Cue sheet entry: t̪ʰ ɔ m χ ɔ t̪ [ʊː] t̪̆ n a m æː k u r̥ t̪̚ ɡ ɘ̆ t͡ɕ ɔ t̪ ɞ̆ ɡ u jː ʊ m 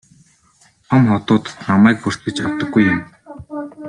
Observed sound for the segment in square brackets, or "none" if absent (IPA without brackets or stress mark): ʊː